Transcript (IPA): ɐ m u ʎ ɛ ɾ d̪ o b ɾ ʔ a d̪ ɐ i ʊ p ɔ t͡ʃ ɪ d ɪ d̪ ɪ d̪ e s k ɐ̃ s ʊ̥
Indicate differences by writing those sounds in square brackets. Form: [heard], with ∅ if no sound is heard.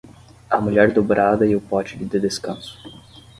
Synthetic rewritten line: ɐ m u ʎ ɛ ɾ d̪ o b ɾ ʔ a d̪ ɐ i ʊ p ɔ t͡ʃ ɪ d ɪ d̪ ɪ d̪ e s k ɐ̃ s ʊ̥